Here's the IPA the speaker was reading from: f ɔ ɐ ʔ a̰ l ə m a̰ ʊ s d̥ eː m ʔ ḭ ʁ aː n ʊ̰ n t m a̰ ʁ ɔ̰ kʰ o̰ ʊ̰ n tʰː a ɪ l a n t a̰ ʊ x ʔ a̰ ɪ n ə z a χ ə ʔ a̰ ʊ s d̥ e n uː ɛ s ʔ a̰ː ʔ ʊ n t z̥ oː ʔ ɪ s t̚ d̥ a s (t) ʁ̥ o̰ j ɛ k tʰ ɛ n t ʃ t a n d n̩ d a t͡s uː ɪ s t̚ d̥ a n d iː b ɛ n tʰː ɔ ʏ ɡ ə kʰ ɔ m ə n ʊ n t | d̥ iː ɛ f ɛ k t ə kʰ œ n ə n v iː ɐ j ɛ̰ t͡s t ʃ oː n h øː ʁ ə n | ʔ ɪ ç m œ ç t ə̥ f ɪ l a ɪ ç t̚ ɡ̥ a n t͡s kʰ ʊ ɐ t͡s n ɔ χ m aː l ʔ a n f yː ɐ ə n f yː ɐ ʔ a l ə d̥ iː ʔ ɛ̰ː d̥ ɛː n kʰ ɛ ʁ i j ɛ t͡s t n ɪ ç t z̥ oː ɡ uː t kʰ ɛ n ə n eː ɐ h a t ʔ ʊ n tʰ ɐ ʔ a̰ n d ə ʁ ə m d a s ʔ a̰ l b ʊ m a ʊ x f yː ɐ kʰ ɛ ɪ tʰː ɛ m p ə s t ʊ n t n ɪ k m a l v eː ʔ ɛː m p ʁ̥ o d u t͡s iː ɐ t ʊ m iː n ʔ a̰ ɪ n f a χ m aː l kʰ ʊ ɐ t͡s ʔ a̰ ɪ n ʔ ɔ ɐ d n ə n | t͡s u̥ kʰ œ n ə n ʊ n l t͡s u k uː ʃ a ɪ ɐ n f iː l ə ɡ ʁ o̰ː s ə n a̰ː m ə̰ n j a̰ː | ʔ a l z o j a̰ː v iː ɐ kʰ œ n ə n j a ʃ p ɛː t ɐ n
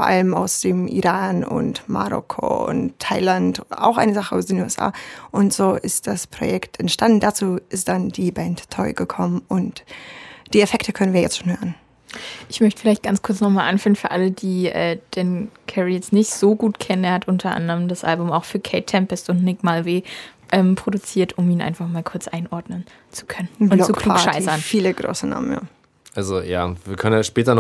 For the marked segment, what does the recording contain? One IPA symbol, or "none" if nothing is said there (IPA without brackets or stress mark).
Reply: p